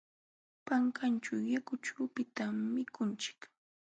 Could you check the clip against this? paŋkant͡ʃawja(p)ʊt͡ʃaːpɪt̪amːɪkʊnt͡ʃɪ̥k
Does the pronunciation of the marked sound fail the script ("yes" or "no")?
yes